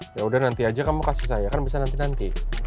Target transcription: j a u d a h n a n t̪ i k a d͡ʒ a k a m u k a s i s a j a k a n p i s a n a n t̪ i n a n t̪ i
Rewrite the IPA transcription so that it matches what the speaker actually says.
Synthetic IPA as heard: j a u d a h n a n t̪ i a d͡ʒ a k a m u k a s i s a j a k a n b i s a n a n t̪ i n a n t̪ i